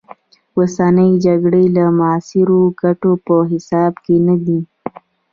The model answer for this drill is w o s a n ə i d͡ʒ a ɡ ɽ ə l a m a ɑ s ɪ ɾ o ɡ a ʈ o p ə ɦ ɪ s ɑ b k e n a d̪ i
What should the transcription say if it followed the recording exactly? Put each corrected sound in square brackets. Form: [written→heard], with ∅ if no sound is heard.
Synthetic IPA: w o s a n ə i d͡ʒ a ɡ ɽ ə l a m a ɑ s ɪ ɾ o ɡ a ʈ o p ə ɦ ɪ s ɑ b k e n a d̪ i

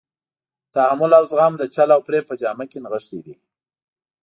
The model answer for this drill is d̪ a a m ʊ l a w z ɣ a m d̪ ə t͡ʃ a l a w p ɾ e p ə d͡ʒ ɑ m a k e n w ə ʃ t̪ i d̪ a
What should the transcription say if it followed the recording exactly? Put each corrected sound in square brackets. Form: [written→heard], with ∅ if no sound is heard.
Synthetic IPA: [d̪→t̪] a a m ʊ l a w z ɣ [a→ɑ] m d̪ ə t͡ʃ a l a w p ɾ e p ə d͡ʒ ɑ m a k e n [w→ɣ] ə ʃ t̪ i d̪ [a→i]

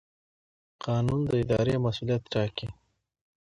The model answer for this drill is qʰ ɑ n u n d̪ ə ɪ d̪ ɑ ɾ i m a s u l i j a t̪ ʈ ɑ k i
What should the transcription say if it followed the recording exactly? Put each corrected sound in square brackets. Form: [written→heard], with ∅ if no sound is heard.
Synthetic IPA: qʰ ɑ n u n d̪ ə ɪ d̪ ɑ ɾ [i→e] m a s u l i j a t̪ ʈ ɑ k i

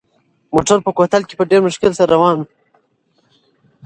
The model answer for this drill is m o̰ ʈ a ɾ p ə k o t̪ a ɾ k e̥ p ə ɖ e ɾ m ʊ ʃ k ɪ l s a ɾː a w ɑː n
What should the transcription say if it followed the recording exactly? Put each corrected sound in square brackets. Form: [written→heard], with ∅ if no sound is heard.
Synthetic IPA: m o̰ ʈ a ɾ p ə k o t̪ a [ɾ→l] k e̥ p ə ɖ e ɾ m ʊ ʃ k ɪ l s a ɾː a w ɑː n

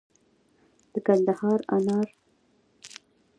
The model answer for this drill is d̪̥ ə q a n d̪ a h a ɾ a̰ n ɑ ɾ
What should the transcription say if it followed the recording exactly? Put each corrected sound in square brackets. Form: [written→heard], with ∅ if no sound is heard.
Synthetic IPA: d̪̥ ə [q→k] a n d̪ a h [a→ɑ] ɾ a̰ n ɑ ɾ

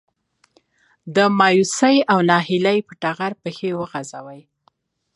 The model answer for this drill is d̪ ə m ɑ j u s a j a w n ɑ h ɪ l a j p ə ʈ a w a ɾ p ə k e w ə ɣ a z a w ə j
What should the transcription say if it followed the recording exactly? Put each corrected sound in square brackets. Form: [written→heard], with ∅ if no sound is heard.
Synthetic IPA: d̪ ə m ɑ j u s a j a w n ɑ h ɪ l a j p ə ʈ a [w→ɣ] a ɾ p ə [k→x] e w ə ɣ a z a w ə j

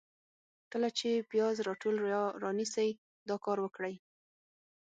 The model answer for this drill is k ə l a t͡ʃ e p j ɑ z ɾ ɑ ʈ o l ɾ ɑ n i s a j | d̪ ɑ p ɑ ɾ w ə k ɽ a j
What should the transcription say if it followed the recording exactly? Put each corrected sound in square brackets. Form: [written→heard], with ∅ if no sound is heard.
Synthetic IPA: k ə l a t͡ʃ e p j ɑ z ɾ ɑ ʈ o l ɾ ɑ n i s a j | d̪ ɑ [p→k] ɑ ɾ w ə k ɽ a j

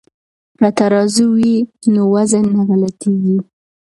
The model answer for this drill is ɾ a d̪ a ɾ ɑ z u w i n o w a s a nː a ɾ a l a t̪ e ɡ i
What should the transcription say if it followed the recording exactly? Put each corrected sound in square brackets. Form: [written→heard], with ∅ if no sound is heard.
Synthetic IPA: ɾ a [d̪→t̪] a ɾ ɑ z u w i n o w a [s→z] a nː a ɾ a l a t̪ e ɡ i

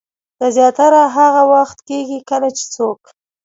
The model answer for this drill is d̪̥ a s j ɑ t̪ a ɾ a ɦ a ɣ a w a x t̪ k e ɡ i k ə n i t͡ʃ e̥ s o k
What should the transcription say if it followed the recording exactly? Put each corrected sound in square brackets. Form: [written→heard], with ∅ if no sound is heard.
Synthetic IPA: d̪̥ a [s→z] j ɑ t̪ a ɾ a ɦ a ɣ a w a x t̪ k e ɡ i k ə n [i→a] t͡ʃ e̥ [s→t͡s] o k

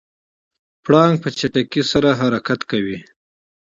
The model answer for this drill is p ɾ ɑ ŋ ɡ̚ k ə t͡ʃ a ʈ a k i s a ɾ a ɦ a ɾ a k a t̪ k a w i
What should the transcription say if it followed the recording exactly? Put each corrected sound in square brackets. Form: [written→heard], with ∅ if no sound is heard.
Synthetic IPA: p [ɾ→ɽ] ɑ ŋ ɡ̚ [k→p] ə t͡ʃ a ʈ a k i s a ɾ a ɦ a ɾ a k a t̪ k a w i

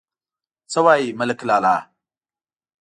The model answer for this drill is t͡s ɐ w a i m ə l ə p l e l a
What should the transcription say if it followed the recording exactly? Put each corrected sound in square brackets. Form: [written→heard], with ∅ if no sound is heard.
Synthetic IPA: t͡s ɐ w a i m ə l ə [p→k] l [e→a] l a

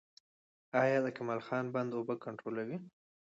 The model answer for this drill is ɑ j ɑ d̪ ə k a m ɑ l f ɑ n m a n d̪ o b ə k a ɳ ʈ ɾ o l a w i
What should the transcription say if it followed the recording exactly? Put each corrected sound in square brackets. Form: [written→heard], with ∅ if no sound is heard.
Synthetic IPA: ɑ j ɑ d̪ ə k a m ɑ l [f→x] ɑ n [m→b] a n d̪ o b ə k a ɳ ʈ ɾ o l a w i

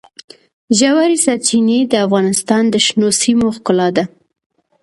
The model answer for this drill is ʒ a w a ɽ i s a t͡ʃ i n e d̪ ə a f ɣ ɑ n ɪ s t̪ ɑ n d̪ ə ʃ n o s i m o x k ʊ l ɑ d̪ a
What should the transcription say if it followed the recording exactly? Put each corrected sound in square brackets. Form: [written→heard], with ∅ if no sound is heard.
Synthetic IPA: ʒ a w a [ɽ→ɾ] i s a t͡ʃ i n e d̪ ə a f ɣ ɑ n ɪ s t̪ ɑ n d̪ ə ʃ n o s i m o x k ʊ l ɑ d̪ a

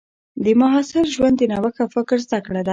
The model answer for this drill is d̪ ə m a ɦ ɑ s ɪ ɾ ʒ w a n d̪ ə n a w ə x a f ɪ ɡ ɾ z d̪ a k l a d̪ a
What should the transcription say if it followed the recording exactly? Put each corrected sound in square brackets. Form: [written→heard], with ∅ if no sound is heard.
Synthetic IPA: d̪ ə m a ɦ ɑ s ɪ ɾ ʒ w a n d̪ ə n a w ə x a f ɪ [ɡ→k] ɾ z d̪ a k [l→ɽ] a d̪ a

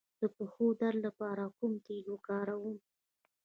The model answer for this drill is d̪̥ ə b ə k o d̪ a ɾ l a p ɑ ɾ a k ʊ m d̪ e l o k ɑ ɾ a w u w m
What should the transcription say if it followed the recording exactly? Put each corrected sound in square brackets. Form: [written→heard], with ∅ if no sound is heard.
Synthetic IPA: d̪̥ ə [b→p] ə [k→x] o d̪ a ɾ l a p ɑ ɾ a k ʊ m [d̪→t̪] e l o k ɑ ɾ a w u [w→∅] m

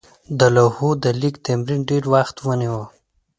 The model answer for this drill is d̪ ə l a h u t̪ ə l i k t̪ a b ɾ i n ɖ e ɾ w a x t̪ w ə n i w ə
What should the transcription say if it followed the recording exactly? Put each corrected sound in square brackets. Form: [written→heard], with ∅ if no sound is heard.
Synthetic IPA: d̪ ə l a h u [t̪→d̪] ə l i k t̪ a [b→m] ɾ i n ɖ e ɾ w a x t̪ w ə n i w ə

